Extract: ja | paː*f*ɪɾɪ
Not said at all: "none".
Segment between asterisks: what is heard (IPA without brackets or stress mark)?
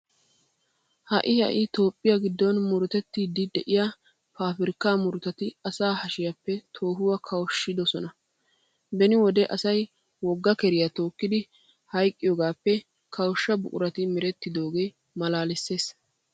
f